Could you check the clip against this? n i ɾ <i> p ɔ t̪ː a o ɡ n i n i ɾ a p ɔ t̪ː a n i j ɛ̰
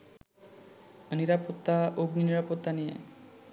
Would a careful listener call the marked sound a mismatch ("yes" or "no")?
yes